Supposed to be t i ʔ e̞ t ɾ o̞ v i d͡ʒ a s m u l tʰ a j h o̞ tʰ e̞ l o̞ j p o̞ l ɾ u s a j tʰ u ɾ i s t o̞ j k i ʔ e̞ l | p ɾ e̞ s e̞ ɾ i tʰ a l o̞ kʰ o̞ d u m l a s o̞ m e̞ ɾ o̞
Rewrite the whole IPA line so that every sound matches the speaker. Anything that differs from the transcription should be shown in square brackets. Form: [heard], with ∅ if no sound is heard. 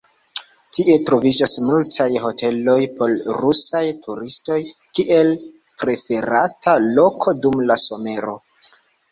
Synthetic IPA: t i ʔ e̞ t ɾ o̞ v i d͡ʒ a s m u l tʰ a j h o̞ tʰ e̞ l o̞ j p o̞ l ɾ u s a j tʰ u ɾ i s t o̞ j k i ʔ e̞ l | p ɾ e̞ [f] e̞ ɾ [a] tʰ a l o̞ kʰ o̞ d u m l a s o̞ m e̞ ɾ o̞